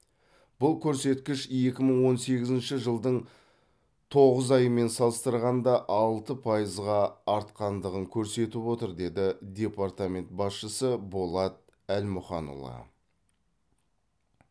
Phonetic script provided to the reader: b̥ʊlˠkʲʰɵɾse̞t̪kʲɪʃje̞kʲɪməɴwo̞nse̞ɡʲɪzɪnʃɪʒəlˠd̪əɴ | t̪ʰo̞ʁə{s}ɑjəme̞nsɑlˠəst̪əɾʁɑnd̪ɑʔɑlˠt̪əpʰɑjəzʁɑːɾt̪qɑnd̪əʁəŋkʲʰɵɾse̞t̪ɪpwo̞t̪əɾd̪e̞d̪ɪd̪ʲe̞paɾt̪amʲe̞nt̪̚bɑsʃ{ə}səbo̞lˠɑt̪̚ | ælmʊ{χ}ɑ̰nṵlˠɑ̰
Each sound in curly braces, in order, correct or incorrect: incorrect: z, correct, correct

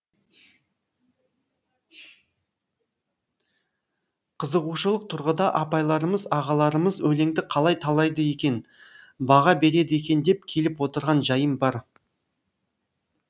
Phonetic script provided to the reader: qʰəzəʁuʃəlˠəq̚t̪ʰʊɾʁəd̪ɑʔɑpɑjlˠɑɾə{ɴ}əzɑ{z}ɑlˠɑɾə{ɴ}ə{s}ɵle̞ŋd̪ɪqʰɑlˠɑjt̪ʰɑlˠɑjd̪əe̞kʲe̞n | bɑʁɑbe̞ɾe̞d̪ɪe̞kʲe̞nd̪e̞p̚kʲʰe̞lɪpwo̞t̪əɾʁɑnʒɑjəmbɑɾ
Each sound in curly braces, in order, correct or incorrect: incorrect: m, incorrect: ʁ, incorrect: m, incorrect: z

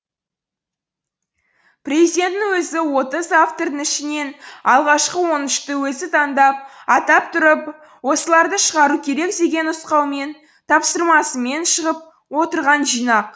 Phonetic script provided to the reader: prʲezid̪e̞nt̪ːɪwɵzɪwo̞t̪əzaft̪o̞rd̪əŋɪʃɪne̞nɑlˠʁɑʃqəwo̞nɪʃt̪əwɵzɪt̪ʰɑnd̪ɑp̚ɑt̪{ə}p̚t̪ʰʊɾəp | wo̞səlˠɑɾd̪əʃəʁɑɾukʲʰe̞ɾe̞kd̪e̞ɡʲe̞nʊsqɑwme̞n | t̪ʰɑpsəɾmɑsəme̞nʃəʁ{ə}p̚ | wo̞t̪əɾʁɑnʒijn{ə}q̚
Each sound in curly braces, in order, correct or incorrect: incorrect: ɑ, correct, incorrect: ɑ

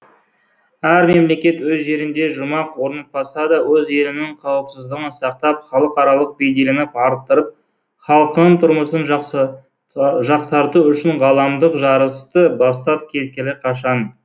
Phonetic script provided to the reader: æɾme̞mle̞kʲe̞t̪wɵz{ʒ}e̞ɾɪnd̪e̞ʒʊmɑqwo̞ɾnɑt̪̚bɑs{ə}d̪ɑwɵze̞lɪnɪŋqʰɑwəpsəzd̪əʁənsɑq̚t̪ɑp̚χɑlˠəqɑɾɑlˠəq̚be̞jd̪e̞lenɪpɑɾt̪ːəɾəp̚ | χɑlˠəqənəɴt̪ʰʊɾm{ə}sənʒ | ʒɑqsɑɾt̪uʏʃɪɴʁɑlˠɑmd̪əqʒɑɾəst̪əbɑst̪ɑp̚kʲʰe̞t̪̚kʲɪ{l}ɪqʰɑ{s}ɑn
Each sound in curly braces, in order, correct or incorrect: correct, incorrect: ɑ, correct, correct, incorrect: ʃ

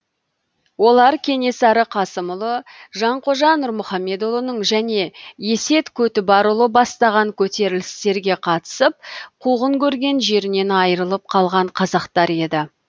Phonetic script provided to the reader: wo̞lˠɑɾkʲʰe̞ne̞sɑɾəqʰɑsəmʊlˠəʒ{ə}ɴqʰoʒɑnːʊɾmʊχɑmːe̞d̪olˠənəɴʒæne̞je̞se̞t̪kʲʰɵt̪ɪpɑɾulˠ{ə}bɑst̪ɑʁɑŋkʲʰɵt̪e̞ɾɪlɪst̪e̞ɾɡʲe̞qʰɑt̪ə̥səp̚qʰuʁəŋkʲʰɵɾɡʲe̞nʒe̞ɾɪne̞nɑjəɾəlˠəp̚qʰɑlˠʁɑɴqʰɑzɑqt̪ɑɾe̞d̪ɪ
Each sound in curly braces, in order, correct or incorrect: incorrect: ɑ, correct

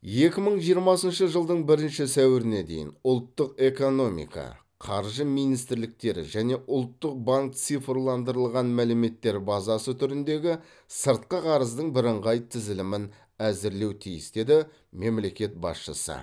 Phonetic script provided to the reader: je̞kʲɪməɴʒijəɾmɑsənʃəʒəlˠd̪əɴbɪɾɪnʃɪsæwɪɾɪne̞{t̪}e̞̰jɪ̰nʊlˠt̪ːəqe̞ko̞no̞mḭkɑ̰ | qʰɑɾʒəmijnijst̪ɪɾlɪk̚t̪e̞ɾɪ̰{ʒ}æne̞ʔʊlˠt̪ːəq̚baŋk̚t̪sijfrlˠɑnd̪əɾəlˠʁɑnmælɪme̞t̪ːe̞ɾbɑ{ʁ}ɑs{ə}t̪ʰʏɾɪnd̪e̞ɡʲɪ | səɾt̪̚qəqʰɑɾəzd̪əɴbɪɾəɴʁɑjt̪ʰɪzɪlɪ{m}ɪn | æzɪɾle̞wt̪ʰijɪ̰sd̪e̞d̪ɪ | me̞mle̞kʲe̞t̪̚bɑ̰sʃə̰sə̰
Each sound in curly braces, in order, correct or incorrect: incorrect: d̪, correct, incorrect: z, correct, correct

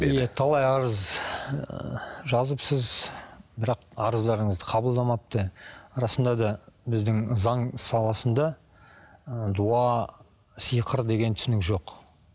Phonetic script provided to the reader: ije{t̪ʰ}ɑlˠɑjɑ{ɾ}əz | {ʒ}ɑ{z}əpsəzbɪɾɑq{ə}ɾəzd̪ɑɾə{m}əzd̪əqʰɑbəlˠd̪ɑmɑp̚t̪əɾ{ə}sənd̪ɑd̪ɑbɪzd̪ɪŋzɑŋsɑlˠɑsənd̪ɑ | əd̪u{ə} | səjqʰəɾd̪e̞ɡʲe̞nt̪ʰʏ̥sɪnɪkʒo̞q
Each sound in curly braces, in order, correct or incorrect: correct, correct, correct, correct, incorrect: ɑ, incorrect: ɴ, incorrect: ɑ, incorrect: ɑ

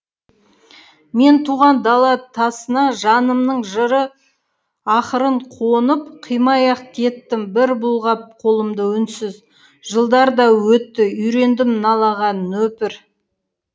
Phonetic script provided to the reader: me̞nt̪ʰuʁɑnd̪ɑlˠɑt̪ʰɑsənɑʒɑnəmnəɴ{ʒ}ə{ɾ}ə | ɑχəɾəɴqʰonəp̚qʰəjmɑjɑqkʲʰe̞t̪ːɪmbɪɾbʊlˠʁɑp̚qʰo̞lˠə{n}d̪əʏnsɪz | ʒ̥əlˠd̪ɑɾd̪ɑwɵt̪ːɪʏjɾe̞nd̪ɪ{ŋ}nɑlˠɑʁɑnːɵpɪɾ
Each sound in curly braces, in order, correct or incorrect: correct, correct, incorrect: m, incorrect: m

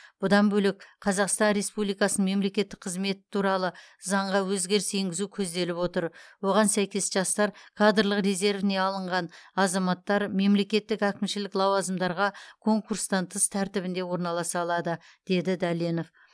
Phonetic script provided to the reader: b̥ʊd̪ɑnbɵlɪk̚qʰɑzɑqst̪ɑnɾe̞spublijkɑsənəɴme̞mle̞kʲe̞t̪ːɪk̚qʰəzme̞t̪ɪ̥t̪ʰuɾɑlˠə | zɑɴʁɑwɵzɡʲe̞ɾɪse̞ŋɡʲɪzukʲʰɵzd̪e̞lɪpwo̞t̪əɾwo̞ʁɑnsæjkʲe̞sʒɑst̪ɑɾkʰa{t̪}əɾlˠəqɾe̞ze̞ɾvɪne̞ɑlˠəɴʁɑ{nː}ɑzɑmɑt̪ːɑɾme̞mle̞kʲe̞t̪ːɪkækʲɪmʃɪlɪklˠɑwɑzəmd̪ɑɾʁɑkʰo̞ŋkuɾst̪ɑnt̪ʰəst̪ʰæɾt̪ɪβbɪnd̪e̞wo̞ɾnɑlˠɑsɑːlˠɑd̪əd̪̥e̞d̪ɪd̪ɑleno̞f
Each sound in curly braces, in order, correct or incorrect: incorrect: d̪, incorrect: n

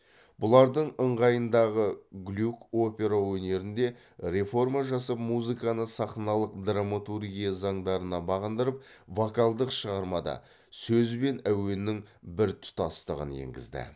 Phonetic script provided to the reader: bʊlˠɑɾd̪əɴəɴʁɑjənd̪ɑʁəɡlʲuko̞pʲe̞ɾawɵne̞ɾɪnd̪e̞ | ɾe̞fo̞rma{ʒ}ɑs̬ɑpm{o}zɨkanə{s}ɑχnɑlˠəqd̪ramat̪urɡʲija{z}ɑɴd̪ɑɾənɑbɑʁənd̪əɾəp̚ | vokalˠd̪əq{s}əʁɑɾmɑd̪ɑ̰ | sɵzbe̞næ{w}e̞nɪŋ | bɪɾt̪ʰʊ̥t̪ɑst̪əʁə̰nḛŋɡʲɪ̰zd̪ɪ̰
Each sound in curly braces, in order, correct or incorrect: correct, incorrect: u, correct, correct, incorrect: ʃ, correct

